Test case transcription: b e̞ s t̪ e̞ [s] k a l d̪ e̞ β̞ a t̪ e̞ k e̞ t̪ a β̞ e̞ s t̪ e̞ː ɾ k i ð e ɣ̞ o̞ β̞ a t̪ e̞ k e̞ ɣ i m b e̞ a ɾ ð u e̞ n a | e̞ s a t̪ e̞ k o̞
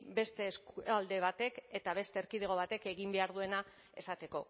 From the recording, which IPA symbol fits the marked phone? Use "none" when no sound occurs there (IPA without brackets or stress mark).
s